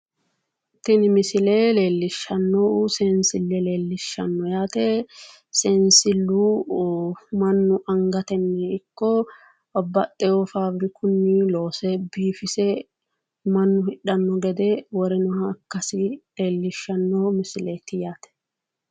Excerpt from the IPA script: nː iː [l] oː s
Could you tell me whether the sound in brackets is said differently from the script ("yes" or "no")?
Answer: no